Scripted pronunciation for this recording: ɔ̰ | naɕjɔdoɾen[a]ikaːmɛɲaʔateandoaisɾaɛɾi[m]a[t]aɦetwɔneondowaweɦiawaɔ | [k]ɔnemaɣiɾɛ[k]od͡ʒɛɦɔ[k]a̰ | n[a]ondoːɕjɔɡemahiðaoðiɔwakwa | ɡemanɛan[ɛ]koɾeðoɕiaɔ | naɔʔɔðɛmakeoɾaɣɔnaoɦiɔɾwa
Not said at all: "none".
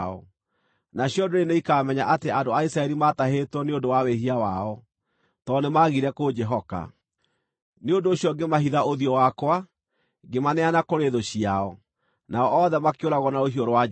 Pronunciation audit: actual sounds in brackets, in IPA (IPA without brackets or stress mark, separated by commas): e, m, t, t, k, k, e, a